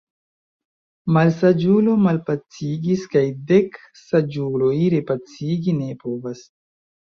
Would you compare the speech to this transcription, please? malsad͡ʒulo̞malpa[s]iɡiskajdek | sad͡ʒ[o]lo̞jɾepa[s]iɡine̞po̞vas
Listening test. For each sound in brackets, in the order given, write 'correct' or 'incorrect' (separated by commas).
incorrect, incorrect, incorrect